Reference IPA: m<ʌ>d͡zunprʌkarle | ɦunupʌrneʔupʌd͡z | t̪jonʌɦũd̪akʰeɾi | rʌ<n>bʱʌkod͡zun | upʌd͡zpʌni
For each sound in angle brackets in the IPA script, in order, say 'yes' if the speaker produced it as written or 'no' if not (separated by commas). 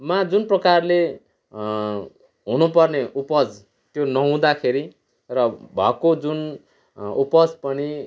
no, no